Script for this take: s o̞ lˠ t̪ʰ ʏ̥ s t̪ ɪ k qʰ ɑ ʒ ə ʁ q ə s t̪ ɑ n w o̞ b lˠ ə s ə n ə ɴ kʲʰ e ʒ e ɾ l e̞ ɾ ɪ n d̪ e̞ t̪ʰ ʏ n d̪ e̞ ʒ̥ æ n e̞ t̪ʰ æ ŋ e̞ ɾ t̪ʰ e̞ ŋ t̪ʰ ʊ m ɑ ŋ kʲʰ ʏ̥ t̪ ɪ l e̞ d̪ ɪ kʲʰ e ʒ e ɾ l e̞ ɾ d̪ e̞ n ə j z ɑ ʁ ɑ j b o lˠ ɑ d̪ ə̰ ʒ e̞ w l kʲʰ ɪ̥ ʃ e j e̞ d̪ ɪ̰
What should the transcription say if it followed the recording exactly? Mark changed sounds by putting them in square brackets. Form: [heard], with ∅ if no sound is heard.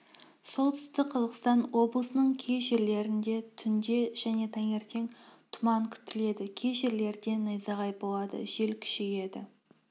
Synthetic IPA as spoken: s o̞ lˠ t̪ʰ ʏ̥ s t̪ ɪ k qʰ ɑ [z] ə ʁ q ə s t̪ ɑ n w o̞ b lˠ ə s ə n ə ɴ kʲʰ e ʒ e ɾ l e̞ ɾ ɪ n d̪ e̞ t̪ʰ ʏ n d̪ e̞ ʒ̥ æ n e̞ t̪ʰ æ ŋ e̞ ɾ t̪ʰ e̞ ŋ t̪ʰ ʊ m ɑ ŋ kʲʰ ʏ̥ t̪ ɪ l e̞ d̪ ɪ kʲʰ e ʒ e ɾ l e̞ ɾ d̪ e̞ n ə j z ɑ ʁ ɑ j b o lˠ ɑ d̪ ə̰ ʒ e̞ [∅] l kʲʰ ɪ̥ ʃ e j e̞ d̪ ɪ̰